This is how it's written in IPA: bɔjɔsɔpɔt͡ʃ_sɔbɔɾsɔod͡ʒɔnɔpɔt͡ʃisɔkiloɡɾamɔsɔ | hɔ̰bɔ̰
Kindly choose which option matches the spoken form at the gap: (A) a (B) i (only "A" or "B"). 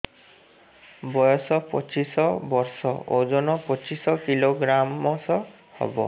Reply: B